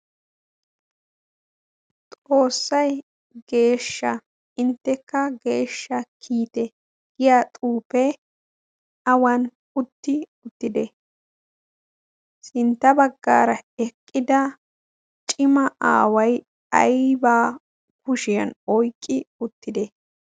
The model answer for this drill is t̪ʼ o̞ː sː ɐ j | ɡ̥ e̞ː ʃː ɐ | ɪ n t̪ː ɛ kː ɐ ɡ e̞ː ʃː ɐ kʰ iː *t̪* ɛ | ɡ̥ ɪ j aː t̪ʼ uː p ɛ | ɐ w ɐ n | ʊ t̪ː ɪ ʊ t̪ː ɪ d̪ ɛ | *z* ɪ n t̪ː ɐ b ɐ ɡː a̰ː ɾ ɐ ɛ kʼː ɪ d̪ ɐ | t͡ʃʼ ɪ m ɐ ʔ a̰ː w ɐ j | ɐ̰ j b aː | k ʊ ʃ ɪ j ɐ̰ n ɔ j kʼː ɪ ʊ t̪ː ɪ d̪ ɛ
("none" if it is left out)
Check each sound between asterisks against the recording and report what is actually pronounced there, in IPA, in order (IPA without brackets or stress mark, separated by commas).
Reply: t̪, s